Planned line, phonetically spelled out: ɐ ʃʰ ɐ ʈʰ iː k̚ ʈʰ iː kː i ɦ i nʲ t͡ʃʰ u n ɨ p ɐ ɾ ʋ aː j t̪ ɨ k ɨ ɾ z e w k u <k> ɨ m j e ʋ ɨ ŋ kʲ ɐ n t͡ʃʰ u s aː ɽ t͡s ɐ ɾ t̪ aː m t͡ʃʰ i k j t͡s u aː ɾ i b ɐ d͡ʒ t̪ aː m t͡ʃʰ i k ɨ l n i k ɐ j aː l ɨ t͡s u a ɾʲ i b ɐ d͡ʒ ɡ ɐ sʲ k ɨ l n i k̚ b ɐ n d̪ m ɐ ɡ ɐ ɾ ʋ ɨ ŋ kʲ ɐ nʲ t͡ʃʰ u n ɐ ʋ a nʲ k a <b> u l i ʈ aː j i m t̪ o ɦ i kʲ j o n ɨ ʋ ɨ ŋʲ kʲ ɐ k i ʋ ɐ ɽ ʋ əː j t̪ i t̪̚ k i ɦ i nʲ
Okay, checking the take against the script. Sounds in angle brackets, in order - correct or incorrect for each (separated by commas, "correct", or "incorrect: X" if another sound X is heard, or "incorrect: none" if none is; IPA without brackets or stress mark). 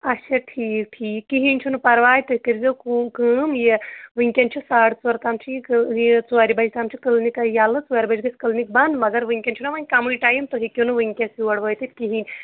correct, incorrect: m